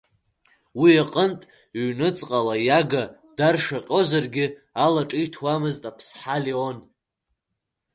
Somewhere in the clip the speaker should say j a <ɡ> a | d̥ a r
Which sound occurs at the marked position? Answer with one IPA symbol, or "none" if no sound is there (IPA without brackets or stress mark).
ɡ